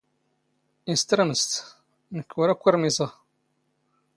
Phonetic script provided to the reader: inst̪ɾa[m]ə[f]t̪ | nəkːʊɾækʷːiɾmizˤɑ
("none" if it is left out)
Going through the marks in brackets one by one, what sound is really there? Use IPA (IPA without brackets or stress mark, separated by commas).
m, s